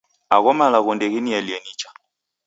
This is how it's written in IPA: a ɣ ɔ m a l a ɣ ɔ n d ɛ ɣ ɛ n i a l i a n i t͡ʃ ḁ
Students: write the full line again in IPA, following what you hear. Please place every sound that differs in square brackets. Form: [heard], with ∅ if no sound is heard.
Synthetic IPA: a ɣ ɔ m a l a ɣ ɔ n d ɛ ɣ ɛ n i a l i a n i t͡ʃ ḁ